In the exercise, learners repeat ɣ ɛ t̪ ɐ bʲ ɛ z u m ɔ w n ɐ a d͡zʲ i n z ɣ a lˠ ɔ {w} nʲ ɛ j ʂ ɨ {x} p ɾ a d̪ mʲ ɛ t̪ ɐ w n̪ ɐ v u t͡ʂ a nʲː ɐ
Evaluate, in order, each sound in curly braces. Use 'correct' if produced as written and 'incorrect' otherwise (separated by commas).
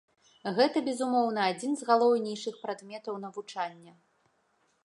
correct, correct